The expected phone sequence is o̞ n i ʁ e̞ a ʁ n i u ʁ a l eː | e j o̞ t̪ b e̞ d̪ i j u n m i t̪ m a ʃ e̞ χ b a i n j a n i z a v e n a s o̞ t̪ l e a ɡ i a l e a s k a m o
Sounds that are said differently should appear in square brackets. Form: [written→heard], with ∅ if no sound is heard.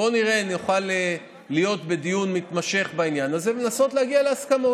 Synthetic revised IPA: o̞ n i ʁ e̞ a [ʁ→∅] n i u [ʁ→χ] a l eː | [e→i] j o̞ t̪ b e̞ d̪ i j u n m i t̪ m a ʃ e̞ χ b a i n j a n [i→a] z [a→e] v e n a s o̞ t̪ l e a ɡ i a l e a s k a m o

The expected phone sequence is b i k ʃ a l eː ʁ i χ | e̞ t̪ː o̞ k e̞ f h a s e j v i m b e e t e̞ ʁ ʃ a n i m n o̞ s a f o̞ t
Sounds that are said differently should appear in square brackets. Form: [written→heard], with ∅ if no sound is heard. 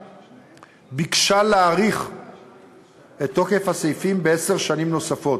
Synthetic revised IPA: b i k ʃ a l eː ʁ i χ | e̞ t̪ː o̞ k e̞ f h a s e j [v→f] i m b e e [t→s] e̞ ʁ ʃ a n i m n o̞ s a f o̞ t

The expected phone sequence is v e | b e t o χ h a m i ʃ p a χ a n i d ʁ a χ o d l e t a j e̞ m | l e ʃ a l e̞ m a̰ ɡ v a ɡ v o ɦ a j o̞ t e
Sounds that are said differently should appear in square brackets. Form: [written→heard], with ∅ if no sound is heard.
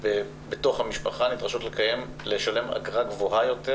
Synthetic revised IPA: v e | b e t o χ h a m i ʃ p a χ a n i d ʁ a [χ→ʃ] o [d→t] l e [t→k] a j e̞ m | l e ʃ a l e̞ m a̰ ɡ [v→ʁ] a ɡ v o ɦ a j o̞ t e

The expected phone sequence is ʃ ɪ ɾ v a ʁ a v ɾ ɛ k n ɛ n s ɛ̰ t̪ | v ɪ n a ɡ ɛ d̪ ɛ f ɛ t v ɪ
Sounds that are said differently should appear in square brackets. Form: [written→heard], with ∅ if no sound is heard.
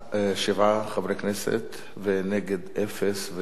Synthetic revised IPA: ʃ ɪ [ɾ→∅] v a [ʁ→χ] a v ɾ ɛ k n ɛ [n→∅] s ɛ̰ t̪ | v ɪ n [a→ɛ] ɡ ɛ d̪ ɛ f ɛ [t→s] v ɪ

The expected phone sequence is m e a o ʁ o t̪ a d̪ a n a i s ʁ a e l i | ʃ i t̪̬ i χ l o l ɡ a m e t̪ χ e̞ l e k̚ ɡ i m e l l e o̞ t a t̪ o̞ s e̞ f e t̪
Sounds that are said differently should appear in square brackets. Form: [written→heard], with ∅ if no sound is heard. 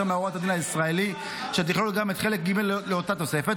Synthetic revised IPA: m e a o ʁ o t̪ a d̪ [a→i] n a i s ʁ a e l i | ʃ [i→e] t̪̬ i χ l o l ɡ a m e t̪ χ e̞ l e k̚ ɡ i m e l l e o̞ t a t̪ o̞ s e̞ f e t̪

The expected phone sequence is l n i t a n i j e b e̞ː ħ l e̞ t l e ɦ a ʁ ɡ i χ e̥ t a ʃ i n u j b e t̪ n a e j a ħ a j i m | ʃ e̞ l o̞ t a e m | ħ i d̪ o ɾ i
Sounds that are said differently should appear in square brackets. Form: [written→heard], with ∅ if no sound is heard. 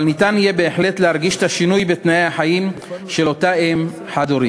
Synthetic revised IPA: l n i t a n i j e b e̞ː ħ l e̞ t l e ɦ a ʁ ɡ i [χ→ʃ] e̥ t a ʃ i n u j b e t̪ n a e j a ħ a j i m | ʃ e̞ l o̞ t a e m | ħ [i→a] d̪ o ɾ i

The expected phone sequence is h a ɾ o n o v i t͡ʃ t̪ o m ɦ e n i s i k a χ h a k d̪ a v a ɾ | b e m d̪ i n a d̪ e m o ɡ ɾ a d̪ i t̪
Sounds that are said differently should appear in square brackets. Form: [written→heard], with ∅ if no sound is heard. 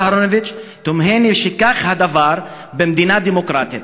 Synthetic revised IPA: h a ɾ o n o v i t͡ʃ t̪ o m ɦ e n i [s→ʃ] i k a χ h a [k→∅] d̪ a v a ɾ | b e m d̪ i n a d̪ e m o [ɡ→k] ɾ a [d̪→t̪] i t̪

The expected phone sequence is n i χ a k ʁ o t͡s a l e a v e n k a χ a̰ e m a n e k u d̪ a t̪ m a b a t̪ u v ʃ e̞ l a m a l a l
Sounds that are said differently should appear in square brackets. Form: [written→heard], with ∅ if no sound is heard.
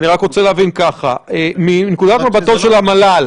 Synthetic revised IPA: n i [χ→ʁ] a k ʁ o t͡s [a→e] l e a v [e→i] n k a χ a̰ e m [a→i] n e k u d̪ a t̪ m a b a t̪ [u→o] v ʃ e̞ l a m a l a l

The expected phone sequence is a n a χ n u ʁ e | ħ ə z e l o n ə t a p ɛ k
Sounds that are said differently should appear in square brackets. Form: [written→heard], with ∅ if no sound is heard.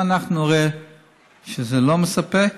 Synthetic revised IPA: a n a χ n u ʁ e | [ħ→ʃ] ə z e l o [n→m] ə [t→s] a p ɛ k

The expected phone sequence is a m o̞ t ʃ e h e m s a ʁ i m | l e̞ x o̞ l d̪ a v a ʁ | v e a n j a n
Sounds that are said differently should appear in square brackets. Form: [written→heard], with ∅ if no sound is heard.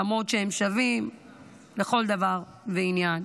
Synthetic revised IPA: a m o̞ t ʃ e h e m [s→ʃ] a [ʁ→v] i m | l e̞ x o̞ l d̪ a v a ʁ | v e [a→i] n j a n

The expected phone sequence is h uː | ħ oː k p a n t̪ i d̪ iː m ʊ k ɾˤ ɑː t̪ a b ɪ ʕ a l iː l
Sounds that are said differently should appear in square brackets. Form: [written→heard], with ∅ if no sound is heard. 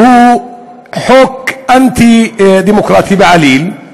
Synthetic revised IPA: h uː | ħ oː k [p→ʔ] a n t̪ i d̪ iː m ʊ k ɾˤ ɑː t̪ [a→i] b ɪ ʕ a l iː l

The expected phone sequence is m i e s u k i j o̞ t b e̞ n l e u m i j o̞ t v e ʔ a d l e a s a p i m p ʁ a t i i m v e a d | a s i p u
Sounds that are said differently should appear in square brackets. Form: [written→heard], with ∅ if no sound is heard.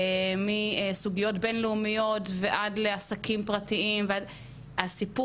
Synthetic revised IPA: m i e s u [k→ɡ] i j o̞ t b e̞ n l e u m i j o̞ t v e ʔ a d l e a s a [p→k] i m p ʁ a t i i m v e a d | a s i p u

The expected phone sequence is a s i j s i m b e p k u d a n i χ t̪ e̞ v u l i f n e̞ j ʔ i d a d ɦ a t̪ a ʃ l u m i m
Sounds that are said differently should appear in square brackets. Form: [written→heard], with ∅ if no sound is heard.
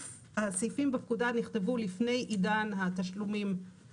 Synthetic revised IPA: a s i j [s→f] i m b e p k u d a n i χ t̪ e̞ v u l i f n e̞ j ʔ i d a [d→n] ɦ a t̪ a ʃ l u m i m

